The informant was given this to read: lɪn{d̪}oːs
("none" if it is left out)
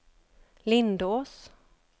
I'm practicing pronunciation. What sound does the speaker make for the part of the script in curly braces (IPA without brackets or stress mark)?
d̪